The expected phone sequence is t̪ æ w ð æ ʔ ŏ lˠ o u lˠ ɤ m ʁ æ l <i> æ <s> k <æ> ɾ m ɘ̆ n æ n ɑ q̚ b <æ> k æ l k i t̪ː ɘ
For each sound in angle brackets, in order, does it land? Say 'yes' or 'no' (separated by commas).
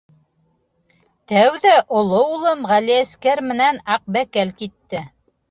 yes, yes, yes, yes